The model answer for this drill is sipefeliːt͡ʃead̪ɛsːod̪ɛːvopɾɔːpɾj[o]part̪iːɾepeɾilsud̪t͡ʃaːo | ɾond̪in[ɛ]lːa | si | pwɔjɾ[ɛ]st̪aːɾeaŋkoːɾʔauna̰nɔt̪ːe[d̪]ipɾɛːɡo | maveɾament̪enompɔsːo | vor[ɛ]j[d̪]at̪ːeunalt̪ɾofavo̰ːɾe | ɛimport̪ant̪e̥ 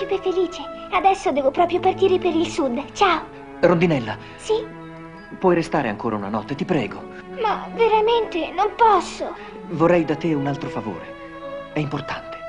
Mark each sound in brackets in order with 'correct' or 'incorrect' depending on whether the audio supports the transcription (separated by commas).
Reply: correct, correct, incorrect, incorrect, correct, correct